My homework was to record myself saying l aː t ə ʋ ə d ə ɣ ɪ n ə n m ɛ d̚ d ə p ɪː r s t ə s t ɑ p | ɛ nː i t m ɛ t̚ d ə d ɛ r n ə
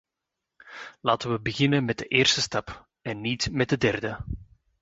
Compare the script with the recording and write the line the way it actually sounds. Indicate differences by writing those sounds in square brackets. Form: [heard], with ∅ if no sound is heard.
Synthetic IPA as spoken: l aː t ə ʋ ə [b] ə ɣ ɪ n ə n m ɛ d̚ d ə [ʔ] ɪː r s t ə s t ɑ p | ɛ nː i t m ɛ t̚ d ə d ɛ r [d] ə